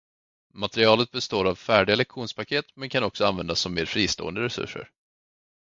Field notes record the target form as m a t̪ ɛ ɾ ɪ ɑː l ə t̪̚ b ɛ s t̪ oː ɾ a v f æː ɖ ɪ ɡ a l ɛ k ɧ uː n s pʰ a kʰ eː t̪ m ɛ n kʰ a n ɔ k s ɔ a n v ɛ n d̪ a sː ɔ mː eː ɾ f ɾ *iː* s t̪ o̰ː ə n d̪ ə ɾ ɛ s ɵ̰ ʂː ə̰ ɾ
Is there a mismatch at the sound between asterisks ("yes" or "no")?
no